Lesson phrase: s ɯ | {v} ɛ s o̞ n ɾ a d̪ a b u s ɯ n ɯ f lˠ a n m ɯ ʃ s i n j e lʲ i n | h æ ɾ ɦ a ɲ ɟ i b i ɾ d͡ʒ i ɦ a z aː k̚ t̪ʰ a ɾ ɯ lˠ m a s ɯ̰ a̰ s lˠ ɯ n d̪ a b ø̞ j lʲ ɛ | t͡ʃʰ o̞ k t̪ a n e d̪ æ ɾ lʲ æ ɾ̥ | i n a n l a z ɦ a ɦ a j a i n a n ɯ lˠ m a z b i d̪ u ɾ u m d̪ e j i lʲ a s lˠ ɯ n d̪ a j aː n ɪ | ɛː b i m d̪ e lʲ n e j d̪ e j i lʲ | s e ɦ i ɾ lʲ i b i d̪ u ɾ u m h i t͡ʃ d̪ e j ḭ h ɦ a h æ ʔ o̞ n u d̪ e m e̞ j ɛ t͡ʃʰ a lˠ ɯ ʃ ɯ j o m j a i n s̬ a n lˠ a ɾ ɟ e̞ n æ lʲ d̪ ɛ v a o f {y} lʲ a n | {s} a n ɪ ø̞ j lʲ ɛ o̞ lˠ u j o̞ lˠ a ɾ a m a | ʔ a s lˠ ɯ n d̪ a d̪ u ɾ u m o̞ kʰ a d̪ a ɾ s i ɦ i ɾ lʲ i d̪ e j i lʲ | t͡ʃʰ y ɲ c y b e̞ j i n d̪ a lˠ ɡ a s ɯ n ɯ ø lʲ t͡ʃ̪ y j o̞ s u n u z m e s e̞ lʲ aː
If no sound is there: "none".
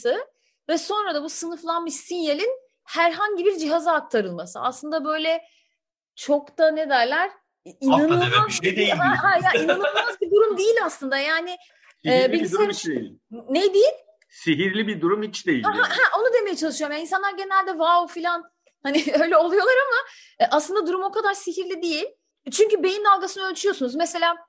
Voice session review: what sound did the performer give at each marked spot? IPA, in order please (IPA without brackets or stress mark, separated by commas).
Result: v, i, h